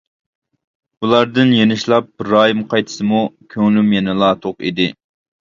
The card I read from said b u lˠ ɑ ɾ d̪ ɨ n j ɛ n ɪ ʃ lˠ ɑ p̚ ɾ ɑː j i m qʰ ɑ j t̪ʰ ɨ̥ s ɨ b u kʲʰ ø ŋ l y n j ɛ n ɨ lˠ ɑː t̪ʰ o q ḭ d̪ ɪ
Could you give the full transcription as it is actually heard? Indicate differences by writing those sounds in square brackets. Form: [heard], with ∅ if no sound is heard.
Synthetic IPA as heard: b u lˠ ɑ ɾ d̪ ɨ n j [e] n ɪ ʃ lˠ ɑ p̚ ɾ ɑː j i m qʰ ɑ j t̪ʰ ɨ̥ s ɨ [m] u kʲʰ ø ŋ l y [m] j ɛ n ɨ lˠ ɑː t̪ʰ o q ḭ d̪ ɪ